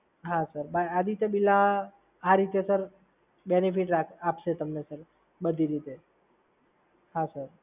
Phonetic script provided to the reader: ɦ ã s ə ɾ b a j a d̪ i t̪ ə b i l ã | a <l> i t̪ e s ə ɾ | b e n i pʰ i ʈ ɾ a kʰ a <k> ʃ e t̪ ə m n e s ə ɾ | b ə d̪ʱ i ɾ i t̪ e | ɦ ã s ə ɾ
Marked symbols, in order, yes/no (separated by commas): no, no